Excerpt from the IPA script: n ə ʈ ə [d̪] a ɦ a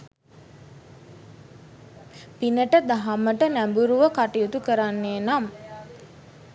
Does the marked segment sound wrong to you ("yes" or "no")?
no